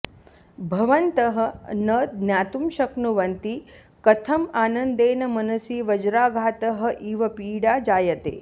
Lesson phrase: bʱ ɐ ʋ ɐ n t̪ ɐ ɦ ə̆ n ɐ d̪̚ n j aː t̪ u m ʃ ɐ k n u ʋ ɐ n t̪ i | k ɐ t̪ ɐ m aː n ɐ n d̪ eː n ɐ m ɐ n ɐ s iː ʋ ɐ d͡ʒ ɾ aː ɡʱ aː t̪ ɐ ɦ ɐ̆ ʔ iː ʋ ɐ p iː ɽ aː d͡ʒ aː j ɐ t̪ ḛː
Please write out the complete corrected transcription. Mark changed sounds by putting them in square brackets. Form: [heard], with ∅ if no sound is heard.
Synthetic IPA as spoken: bʱ ɐ ʋ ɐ n t̪ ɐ ɦ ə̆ n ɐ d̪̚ n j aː t̪ u m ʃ ɐ k n u ʋ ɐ n t̪ i | k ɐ [t̪ʰ] ɐ m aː n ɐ n d̪ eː n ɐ m ɐ n ɐ s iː ʋ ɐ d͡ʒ ɾ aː ɡʱ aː t̪ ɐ ɦ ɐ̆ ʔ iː ʋ ɐ p iː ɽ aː d͡ʒ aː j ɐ t̪ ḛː